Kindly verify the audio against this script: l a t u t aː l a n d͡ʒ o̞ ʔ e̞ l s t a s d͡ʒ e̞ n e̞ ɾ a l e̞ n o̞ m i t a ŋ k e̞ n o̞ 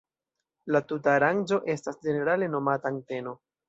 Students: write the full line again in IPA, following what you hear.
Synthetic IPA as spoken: l a t u t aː ɾ a n d͡ʒ o̞ ʔ e̞ s t a s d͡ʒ e̞ n e̞ ɾ a l e̞ n o̞ m a t a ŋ t e̞ n o̞